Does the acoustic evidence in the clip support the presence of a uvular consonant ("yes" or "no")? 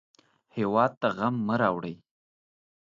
no